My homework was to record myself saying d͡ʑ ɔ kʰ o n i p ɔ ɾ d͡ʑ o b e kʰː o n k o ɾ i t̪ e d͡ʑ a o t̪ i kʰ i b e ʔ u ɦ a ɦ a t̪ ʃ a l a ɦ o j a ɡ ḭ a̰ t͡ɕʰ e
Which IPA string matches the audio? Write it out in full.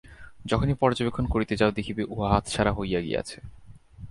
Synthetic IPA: d͡ʑ ɔ kʰ o n i p ɔ ɾ d͡ʑ o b e kʰː o n k o ɾ i t̪ e d͡ʑ a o d̪ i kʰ i b e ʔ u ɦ a ɦ a t̪ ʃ a ɾ a ɦ o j a ɡ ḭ a̰ t͡ɕʰ e